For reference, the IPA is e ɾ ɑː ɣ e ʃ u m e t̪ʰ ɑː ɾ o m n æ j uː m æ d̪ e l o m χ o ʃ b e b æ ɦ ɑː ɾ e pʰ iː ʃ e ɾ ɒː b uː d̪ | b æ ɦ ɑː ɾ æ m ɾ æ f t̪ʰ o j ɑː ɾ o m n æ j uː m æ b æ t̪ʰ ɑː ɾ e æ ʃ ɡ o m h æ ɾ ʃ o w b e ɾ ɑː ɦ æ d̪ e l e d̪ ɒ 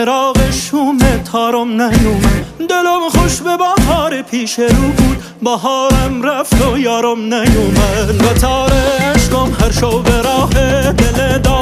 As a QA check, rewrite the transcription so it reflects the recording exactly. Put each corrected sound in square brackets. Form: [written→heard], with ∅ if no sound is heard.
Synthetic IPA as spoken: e ɾ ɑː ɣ e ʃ u m e t̪ʰ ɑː ɾ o m n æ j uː m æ d̪ e l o m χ o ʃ b e b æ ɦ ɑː ɾ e pʰ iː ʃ e ɾ [ɒː→uː] b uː d̪ | b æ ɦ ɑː ɾ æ m ɾ æ f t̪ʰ o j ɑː ɾ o m n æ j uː m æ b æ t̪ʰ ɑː ɾ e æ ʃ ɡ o m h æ ɾ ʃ o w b e ɾ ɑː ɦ [æ→e] d̪ e l e d̪ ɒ